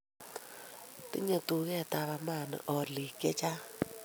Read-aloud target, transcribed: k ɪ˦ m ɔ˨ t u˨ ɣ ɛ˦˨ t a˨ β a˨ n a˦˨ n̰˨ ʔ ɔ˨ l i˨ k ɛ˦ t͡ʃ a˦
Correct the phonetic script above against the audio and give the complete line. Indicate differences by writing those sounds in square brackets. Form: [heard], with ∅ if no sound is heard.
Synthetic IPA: [t] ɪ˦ [ɲ] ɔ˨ t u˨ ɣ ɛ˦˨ t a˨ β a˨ [m] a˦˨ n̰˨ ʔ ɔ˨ l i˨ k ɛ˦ t͡ʃ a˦